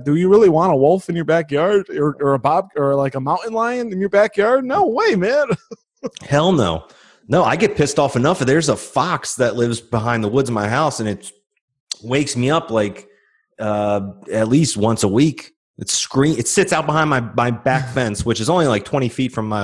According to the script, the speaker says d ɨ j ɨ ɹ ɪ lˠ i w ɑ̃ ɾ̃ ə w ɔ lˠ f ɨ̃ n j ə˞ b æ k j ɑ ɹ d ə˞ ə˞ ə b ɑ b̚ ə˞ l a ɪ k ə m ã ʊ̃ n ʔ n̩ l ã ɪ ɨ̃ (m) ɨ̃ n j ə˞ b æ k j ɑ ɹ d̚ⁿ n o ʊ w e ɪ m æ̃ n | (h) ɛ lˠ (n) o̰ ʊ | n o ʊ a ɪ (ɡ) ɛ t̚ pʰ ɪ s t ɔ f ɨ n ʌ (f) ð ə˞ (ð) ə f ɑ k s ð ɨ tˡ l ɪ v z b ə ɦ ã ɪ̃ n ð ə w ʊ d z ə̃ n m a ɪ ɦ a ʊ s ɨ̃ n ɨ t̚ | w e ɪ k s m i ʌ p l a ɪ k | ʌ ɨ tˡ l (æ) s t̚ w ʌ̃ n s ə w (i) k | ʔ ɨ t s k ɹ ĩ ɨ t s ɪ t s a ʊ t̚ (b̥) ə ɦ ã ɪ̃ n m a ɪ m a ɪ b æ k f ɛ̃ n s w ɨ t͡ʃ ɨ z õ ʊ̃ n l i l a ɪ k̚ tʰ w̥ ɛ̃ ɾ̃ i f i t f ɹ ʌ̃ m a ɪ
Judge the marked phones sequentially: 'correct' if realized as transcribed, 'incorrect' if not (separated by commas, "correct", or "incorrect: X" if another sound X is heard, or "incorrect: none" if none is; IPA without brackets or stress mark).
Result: incorrect: n, correct, correct, correct, correct, incorrect: z, incorrect: i, correct, correct